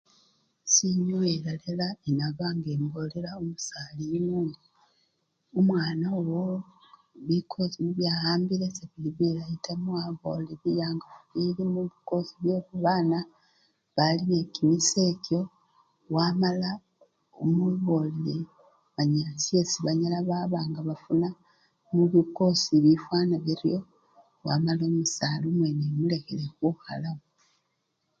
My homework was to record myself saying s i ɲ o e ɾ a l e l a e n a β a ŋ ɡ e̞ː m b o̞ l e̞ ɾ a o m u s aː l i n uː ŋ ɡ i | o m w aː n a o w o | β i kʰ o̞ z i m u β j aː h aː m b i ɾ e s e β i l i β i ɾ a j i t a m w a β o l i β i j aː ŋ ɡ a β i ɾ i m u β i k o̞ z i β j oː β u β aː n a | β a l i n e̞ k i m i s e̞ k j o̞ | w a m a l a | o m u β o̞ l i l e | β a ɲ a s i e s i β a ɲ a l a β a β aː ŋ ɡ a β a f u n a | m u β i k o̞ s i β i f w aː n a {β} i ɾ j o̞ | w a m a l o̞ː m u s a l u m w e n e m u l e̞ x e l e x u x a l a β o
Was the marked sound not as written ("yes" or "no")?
no